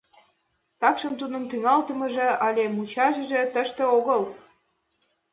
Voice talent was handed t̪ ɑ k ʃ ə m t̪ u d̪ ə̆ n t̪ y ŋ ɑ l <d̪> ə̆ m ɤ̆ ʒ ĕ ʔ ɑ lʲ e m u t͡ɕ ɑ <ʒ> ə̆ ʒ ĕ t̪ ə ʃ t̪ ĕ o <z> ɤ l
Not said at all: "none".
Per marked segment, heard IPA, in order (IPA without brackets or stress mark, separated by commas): t̪, ʒ, ɣ